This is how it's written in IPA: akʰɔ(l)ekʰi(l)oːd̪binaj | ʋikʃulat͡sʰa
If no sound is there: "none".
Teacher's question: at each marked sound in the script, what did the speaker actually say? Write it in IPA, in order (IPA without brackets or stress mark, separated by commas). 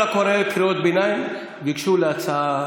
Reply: ɾ, ɾ